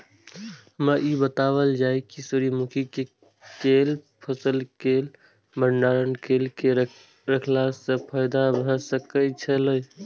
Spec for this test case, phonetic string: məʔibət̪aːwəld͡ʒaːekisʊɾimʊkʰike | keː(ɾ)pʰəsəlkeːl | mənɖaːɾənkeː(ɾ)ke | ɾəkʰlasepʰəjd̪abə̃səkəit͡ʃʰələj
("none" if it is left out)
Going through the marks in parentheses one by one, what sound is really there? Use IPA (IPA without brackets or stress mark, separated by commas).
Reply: l, l